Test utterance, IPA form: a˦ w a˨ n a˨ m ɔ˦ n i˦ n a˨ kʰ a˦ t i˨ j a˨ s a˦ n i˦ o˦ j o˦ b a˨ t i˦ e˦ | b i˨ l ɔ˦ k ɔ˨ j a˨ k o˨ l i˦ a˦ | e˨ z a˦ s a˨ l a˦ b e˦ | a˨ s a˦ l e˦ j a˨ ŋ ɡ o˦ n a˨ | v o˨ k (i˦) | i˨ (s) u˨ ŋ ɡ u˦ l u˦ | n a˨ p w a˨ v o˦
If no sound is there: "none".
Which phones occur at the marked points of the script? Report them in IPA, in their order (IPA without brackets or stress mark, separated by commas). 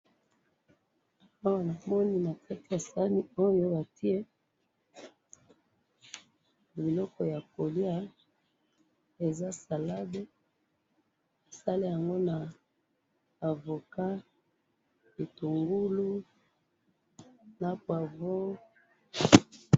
a˦, t